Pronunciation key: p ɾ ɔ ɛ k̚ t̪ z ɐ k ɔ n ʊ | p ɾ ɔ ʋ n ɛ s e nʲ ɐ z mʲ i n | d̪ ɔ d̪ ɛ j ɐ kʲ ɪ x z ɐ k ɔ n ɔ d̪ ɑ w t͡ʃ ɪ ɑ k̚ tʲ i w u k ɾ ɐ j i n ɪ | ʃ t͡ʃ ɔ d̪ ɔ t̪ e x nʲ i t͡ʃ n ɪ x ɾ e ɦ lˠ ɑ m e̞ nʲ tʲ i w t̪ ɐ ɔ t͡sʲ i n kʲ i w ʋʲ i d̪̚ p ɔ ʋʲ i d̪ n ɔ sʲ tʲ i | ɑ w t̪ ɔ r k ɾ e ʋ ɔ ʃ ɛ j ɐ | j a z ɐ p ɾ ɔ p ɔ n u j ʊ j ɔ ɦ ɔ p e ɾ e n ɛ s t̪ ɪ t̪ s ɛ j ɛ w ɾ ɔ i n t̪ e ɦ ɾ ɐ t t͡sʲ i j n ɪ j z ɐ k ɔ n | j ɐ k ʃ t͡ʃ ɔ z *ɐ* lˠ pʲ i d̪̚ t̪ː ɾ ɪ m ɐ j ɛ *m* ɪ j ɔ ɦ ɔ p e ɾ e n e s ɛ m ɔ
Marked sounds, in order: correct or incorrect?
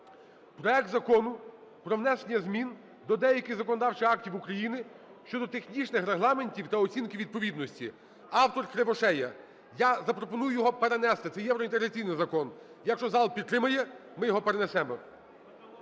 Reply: incorrect: ɑ, correct

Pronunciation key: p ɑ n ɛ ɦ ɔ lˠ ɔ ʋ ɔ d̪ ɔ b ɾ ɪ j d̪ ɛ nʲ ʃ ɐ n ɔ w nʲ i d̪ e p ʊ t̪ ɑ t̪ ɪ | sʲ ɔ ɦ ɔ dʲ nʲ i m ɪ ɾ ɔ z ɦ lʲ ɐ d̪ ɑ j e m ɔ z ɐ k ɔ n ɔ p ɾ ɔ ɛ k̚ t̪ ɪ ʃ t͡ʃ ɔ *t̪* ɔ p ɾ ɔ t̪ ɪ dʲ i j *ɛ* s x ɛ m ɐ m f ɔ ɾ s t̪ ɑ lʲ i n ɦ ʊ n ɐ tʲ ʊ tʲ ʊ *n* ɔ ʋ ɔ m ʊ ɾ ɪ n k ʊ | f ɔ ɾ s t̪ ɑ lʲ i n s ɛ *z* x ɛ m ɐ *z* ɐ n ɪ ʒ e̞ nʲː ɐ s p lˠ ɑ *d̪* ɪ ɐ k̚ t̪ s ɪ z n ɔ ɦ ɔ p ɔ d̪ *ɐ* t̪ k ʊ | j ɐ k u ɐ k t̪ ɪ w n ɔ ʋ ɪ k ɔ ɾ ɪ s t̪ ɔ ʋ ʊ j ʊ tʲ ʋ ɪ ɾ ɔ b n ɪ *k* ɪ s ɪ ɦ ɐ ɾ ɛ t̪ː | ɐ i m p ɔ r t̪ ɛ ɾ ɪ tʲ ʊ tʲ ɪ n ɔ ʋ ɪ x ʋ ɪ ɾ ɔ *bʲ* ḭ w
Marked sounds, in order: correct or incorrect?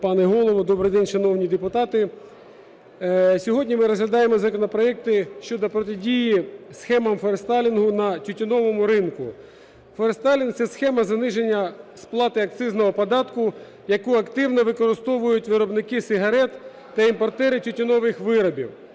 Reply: incorrect: d̪, incorrect: i, correct, incorrect: s, correct, incorrect: t̪, incorrect: ɑ, correct, correct

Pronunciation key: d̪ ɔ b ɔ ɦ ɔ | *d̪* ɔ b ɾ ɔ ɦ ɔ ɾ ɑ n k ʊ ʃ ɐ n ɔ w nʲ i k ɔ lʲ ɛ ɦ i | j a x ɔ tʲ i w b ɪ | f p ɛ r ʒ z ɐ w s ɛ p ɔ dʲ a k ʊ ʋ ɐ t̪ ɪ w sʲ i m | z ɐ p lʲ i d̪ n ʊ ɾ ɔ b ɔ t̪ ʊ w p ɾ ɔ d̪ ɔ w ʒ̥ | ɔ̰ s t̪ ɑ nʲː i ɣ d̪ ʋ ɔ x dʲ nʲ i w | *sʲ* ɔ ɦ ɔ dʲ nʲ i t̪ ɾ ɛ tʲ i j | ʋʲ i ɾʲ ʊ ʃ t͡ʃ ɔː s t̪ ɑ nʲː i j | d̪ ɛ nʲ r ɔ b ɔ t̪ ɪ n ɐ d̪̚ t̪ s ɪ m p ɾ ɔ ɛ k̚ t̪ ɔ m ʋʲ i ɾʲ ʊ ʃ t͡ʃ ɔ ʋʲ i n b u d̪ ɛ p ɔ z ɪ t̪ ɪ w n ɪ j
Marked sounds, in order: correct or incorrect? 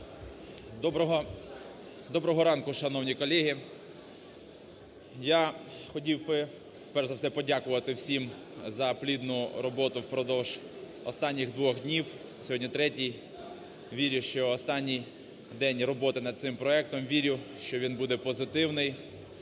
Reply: correct, correct

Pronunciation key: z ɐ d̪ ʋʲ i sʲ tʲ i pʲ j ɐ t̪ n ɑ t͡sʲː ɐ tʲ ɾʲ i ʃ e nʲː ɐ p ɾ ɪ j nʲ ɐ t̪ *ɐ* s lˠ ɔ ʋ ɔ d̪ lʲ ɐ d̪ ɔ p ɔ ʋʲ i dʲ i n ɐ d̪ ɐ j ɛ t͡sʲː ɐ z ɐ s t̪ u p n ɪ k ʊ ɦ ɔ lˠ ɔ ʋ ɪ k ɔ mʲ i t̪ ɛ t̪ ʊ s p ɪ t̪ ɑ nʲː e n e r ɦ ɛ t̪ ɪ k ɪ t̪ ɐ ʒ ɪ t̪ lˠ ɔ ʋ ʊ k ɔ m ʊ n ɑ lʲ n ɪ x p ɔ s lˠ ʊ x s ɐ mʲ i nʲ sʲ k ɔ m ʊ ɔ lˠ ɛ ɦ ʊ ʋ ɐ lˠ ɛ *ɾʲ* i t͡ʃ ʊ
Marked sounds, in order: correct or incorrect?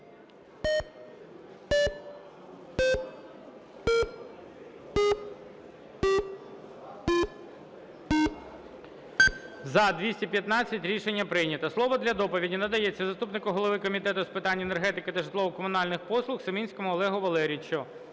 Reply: correct, correct

